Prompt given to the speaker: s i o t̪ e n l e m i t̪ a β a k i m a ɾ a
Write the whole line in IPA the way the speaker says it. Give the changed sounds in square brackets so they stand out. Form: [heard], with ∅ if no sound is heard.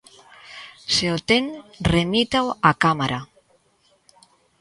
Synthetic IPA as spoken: s [e] o t̪ e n [r] e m i t̪ a [w] a k [a] m a ɾ a